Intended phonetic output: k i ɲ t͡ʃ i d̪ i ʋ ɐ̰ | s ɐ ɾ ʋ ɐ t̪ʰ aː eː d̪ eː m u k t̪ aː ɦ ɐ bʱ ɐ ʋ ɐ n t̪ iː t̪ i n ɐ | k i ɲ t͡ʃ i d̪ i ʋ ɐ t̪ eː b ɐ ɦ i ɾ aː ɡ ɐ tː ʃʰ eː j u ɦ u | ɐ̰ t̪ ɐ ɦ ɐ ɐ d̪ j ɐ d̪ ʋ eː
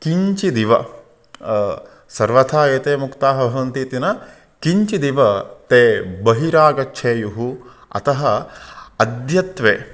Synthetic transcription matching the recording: k i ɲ t͡ʃ i d̪ i ʋ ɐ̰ | s ɐ ɾ ʋ ɐ t̪ʰ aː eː t̪ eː m u k t̪ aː ɦ ɐ bʱ ɐ ʋ ɐ n t̪ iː t̪ i n ɐ | k i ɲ t͡ʃ i d̪ i ʋ ɐ t̪ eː b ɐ ɦ i ɾ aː ɡ ɐ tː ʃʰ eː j u ɦ u | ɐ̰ t̪ ɐ ɦ ɐ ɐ d̪ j ɐ t̪ ʋ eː

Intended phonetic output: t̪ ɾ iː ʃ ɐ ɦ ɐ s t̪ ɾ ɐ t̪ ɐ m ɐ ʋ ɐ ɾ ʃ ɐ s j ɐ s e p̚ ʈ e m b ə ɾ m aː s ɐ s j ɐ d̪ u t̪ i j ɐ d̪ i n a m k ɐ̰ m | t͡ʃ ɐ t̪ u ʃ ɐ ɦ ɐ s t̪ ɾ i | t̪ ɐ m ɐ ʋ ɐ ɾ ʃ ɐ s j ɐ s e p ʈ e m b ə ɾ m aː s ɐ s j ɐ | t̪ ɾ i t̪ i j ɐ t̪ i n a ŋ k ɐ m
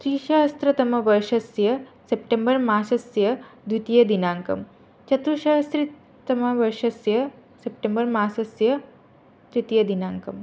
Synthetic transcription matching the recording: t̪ ɾ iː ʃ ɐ ɦ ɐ s t̪ ɾ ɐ t̪ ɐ m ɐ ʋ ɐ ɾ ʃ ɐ s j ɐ s e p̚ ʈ e m b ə ɾ m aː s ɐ s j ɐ d̪ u t̪ i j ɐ d̪ i n a ŋ k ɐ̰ m | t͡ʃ ɐ t̪ u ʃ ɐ ɦ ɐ s t̪ ɾ i | t̪ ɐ m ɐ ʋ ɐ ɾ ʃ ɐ s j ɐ s e p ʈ e m b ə ɾ m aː s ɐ s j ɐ | t̪ ɾ i t̪ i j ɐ d̪ i n a ŋ k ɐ m

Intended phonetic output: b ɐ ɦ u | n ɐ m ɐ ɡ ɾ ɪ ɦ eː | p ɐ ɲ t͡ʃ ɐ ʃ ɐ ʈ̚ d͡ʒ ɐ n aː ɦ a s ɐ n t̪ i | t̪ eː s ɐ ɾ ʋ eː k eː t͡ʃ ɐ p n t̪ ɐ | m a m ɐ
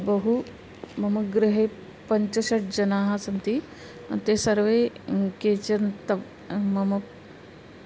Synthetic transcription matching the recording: b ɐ ɦ u | m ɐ m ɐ ɡ ɾ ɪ ɦ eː | p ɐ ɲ t͡ʃ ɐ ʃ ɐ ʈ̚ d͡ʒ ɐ n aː ɦ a s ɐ n t̪ i | t̪ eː s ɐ ɾ ʋ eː k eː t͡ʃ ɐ n t̪ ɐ | m ɐ m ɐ

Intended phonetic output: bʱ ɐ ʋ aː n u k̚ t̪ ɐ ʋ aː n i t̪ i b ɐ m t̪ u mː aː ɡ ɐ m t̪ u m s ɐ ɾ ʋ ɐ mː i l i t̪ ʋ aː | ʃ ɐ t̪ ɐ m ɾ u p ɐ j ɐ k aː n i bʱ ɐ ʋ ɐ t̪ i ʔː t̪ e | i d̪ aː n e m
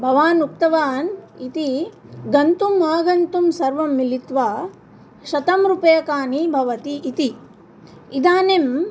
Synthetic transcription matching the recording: bʱ ɐ ʋ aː n u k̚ t̪ ɐ ʋ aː n i t̪ i ɡ ɐ n t̪ u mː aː ɡ ɐ n t̪ u m s ɐ ɾ ʋ ɐ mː i l i t̪ ʋ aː | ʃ ɐ t̪ ɐ m ɾ u p ɐ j ɐ k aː n i bʱ ɐ ʋ ɐ t̪ i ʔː t̪ i | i d̪ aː n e m

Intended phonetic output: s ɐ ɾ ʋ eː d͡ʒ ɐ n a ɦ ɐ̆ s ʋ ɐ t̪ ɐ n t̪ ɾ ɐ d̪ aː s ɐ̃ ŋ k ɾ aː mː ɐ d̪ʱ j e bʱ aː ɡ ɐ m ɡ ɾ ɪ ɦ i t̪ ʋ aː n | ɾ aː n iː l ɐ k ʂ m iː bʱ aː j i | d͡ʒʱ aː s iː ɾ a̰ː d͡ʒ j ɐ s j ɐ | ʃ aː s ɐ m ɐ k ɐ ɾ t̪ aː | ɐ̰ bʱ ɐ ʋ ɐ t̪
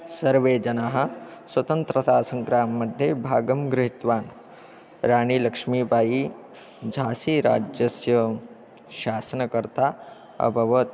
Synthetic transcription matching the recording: s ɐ ɾ ʋ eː d͡ʒ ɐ n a ɦ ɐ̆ s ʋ ɐ t̪ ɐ n t̪ ɾ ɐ t̪ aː s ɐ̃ ŋ k ɾ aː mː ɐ d̪ʱ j e bʱ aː ɡ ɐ m ɡ ɾ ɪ ɦ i t̪ ʋ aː n | ɾ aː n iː l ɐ k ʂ m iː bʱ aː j i | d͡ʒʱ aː s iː ɾ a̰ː d͡ʒ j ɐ s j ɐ | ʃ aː s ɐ n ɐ k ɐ ɾ t̪ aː | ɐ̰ bʱ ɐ ʋ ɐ t̪

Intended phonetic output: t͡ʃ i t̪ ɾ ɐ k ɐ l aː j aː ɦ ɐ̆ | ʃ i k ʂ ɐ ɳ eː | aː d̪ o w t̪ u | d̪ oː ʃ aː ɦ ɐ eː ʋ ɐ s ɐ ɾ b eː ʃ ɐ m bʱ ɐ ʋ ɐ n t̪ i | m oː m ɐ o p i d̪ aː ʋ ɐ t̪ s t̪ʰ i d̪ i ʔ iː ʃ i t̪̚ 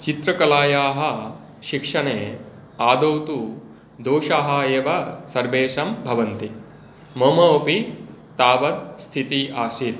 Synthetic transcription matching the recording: t͡ʃ i t̪ ɾ ɐ k ɐ l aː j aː ɦ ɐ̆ | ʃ i k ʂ ɐ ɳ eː | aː d̪ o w t̪ u | d̪ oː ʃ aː ɦ ɐ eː ʋ ɐ s ɐ ɾ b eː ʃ ɐ m bʱ ɐ ʋ ɐ n t̪ i | m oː m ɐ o p i t̪ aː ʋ ɐ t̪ s t̪ʰ i t̪ i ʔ aː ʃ i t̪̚

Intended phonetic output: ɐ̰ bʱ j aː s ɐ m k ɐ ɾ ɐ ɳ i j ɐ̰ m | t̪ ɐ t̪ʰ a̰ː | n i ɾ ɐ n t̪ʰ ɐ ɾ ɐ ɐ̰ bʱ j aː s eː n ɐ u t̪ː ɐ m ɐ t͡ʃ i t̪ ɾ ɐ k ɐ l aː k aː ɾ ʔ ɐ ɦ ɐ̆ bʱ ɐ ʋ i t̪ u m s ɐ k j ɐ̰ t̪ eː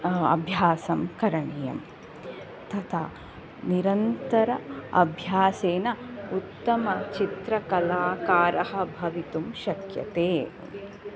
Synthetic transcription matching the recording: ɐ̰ bʱ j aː s ɐ m k ɐ ɾ ɐ ɳ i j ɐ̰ m | t̪ ɐ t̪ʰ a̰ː | n i ɾ ɐ n t̪ ɐ ɾ ɐ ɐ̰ bʱ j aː s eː n ɐ u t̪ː ɐ m ɐ t͡ʃ i t̪ ɾ ɐ k ɐ l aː k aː ɾ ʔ ɐ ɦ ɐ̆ bʱ ɐ ʋ i t̪ u m ʃ ɐ k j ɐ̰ t̪ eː

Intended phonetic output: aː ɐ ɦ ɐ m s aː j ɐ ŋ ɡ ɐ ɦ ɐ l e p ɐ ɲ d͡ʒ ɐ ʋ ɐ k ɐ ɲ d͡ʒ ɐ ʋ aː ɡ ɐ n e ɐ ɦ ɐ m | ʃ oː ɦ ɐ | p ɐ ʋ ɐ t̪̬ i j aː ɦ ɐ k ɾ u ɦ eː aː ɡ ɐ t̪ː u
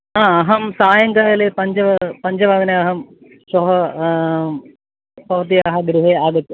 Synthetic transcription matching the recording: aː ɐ ɦ ɐ m s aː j ɐ ŋ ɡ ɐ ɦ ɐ l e p ɐ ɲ d͡ʒ ɐ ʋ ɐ p ɐ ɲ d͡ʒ ɐ ʋ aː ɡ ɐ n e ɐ ɦ ɐ m | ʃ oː ɦ ɐ | p ɐ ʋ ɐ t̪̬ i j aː ɦ ɐ ɡ ɾ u ɦ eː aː ɡ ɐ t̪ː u

